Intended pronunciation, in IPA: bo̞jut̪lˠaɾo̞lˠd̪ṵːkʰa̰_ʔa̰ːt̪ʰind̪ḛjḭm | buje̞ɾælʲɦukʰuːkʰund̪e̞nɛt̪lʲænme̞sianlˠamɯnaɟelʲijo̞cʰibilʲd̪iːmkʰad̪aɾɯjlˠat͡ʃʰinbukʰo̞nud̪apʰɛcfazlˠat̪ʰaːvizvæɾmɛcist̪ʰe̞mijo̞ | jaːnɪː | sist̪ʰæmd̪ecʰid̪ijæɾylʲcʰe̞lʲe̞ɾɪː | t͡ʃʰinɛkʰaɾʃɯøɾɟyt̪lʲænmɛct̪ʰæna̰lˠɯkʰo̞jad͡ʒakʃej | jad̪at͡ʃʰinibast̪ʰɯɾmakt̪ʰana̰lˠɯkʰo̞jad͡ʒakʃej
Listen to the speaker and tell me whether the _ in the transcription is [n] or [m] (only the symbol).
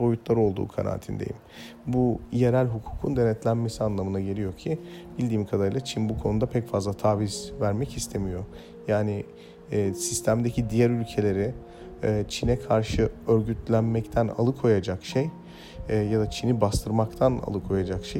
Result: n